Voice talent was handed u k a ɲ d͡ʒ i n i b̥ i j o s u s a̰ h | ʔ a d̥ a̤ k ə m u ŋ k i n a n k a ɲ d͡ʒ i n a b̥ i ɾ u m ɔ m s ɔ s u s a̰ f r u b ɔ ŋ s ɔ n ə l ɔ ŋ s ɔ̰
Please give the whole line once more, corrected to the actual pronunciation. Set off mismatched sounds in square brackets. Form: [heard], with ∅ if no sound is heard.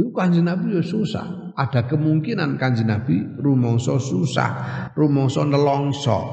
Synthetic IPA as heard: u k a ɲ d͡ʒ i n [a] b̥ i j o s u s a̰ h | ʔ a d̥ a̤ k ə m u ŋ k i n a n k a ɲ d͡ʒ i n a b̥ i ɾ u m ɔ [ŋ] s ɔ s u s a̰ [h] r u [m] ɔ ŋ s ɔ n ə l ɔ ŋ s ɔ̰